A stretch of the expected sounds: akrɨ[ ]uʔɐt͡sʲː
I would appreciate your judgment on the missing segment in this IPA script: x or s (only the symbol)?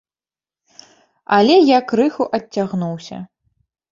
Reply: x